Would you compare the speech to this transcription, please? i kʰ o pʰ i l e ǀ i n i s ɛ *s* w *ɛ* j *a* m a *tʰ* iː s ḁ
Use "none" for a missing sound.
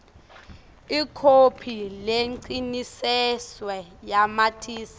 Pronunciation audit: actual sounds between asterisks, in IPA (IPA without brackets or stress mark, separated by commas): s, ɛ, a, tʰ